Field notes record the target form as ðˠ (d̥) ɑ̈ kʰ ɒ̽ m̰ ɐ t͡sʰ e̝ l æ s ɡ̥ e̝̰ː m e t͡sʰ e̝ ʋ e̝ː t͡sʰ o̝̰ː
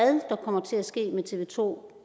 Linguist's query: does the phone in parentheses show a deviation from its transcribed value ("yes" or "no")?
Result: no